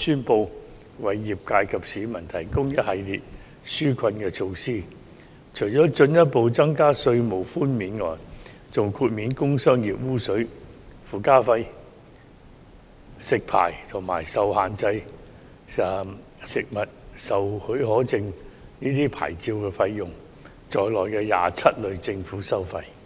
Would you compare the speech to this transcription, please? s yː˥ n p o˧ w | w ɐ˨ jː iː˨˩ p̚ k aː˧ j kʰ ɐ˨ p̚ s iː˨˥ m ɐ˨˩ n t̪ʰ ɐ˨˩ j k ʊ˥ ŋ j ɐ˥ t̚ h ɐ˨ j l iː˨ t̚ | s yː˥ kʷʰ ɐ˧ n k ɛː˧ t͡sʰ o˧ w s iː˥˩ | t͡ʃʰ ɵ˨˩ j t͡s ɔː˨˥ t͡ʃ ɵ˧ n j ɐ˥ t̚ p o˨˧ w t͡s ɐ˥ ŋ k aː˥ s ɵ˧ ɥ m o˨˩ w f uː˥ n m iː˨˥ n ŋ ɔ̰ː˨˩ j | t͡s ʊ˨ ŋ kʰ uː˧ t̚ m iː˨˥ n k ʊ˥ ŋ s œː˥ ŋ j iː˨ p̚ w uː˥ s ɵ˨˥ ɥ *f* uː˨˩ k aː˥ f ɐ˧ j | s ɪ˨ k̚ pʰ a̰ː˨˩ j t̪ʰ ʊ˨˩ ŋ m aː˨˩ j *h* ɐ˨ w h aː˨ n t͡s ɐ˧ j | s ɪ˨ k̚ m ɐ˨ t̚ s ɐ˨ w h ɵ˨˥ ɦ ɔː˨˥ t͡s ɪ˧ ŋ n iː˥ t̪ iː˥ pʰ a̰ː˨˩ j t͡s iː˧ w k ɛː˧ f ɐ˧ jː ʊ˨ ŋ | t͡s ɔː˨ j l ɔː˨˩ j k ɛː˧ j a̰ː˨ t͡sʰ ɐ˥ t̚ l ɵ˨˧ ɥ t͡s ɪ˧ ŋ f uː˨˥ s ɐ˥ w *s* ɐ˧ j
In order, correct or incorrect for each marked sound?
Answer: correct, incorrect: s, incorrect: f

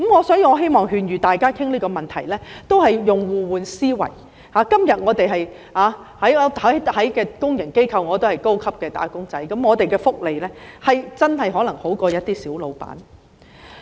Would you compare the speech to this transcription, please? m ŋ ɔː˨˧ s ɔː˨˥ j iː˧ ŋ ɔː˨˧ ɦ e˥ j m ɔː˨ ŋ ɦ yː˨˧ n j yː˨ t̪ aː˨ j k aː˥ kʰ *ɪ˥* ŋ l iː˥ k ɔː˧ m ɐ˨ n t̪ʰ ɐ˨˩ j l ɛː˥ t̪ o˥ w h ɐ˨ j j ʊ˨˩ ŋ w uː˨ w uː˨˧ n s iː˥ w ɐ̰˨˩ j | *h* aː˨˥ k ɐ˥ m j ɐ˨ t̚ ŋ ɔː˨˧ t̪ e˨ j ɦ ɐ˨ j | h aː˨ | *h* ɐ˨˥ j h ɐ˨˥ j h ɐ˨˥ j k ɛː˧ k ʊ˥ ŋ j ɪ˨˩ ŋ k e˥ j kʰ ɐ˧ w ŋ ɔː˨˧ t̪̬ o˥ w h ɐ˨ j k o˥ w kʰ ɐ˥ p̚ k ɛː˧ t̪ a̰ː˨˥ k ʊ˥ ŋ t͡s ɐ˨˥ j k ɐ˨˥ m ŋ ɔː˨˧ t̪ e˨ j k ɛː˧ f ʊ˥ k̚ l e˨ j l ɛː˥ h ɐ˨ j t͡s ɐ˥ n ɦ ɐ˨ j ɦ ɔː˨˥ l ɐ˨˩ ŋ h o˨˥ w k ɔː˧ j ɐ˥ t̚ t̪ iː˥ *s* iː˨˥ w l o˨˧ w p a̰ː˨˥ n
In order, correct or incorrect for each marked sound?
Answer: correct, correct, correct, correct

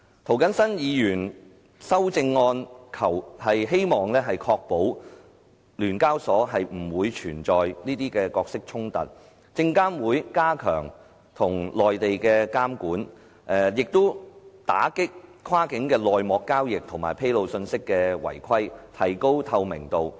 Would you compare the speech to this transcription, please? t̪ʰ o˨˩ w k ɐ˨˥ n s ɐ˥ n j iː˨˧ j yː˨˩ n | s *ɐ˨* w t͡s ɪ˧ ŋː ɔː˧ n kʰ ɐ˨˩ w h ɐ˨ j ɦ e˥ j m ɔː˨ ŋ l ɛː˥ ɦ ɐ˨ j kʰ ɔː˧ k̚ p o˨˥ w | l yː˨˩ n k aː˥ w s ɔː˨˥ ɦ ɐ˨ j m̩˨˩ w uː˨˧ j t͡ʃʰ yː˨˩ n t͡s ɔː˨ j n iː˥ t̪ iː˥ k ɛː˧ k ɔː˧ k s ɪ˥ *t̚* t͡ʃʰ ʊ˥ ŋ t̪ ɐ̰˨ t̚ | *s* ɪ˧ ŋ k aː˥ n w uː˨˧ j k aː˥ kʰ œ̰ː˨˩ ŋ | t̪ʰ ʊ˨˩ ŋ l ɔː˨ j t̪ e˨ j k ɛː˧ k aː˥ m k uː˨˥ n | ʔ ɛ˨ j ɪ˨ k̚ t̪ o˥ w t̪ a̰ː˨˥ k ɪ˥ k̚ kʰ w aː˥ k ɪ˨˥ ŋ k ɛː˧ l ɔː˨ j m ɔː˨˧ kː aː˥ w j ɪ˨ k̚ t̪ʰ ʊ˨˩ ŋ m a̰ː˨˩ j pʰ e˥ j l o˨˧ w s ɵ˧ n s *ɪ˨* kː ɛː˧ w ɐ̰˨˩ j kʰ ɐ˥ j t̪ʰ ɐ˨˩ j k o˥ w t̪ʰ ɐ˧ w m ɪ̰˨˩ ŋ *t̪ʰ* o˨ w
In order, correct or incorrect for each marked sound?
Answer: incorrect: ɐ˥, incorrect: k̚, incorrect: t͡s, incorrect: ɪ˥, incorrect: t̪

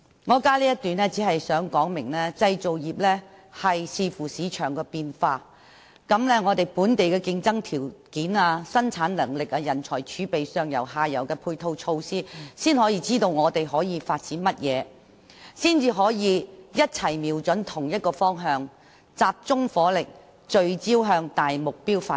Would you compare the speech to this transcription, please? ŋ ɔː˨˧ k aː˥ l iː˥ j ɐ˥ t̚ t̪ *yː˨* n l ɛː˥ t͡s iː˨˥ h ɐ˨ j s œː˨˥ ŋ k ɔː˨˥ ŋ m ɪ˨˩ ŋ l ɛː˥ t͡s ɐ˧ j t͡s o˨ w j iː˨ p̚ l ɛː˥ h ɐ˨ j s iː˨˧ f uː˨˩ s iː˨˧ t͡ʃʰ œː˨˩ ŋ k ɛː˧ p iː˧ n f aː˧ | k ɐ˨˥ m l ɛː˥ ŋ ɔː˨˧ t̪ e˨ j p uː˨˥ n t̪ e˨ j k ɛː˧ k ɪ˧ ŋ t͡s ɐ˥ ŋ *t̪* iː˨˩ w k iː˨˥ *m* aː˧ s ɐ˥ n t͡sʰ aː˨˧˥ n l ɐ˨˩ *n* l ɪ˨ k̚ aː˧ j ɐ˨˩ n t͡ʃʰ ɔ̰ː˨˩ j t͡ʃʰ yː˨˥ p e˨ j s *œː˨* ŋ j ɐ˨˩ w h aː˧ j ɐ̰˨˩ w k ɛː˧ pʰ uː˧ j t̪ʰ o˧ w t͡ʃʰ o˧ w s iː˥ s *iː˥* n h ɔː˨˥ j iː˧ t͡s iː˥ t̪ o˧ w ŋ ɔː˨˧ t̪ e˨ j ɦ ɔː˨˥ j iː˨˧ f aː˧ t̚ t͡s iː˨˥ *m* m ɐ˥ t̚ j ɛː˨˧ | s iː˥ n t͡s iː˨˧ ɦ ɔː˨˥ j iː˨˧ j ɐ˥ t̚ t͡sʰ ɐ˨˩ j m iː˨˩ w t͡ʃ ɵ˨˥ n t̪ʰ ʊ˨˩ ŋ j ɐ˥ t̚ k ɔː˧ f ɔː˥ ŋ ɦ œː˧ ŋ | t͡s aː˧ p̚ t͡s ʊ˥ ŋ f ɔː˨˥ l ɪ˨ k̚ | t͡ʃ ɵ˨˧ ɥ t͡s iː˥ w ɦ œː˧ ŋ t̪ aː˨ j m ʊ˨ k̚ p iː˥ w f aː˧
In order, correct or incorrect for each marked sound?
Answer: correct, incorrect: t̪ʰ, incorrect: n, incorrect: ŋ, correct, correct, incorrect: n

